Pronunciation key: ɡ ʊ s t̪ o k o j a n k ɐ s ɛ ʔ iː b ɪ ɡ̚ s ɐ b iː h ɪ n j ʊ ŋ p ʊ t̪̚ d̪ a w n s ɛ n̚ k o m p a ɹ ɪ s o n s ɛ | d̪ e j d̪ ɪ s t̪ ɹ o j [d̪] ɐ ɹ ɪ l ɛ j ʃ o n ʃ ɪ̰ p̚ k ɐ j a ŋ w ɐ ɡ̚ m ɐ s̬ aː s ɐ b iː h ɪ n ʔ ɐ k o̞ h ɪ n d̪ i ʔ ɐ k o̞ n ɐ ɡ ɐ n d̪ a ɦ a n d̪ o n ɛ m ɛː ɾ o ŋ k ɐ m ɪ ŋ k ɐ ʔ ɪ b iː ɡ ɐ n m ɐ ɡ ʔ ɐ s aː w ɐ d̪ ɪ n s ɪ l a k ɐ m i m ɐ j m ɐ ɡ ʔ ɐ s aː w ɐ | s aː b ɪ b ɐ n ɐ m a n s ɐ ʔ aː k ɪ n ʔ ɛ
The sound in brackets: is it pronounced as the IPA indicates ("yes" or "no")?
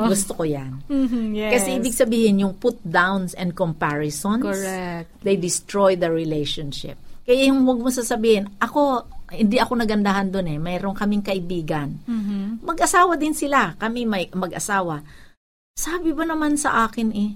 yes